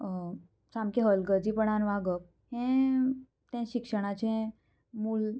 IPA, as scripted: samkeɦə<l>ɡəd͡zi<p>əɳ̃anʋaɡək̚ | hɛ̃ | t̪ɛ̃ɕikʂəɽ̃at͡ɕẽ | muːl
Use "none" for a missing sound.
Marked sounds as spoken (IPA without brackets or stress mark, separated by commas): l, p